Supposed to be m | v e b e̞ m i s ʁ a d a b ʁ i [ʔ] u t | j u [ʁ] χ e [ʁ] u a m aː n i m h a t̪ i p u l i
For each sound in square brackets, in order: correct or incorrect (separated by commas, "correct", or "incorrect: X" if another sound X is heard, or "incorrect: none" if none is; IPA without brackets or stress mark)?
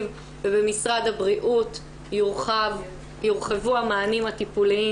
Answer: correct, correct, incorrect: v